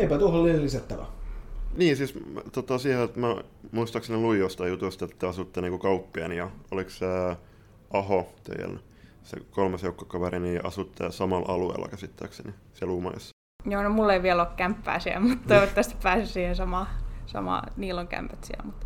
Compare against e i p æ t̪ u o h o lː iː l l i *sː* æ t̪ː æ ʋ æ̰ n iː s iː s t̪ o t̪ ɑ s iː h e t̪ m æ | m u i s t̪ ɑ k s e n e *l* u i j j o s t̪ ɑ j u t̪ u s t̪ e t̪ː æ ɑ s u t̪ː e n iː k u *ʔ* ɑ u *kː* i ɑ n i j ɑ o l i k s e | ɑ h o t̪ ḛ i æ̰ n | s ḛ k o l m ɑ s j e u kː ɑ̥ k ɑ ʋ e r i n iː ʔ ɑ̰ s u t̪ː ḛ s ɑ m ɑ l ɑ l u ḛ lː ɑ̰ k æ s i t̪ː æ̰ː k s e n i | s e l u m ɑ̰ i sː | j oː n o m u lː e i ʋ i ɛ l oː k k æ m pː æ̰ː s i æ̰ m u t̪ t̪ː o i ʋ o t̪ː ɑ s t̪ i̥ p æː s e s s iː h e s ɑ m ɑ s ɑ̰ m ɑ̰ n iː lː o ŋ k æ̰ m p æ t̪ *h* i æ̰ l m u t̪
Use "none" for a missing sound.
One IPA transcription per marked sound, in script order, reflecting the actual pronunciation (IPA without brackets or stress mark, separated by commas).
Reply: s, l, k, pː, s